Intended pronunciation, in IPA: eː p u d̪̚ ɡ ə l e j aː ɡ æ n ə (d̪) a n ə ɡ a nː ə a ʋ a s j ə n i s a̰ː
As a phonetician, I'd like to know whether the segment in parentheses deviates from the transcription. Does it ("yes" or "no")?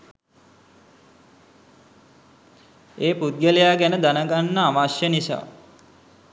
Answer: no